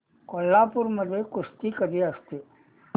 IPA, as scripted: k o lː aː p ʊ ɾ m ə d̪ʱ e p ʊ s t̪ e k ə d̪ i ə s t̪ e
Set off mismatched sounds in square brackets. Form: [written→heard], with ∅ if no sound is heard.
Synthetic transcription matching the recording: k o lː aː p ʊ ɾ m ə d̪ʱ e [p→k] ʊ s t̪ [e→i] k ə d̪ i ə s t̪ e

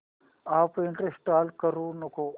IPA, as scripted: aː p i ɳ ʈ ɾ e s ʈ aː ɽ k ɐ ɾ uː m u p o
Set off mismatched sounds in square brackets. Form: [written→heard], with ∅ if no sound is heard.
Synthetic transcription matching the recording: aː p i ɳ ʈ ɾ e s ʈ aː [ɽ→l] k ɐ ɾ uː [m→n] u [p→k] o

